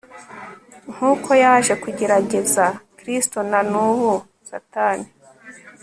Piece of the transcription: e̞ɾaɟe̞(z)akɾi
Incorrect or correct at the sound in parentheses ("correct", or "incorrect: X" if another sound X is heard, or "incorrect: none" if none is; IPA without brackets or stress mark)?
correct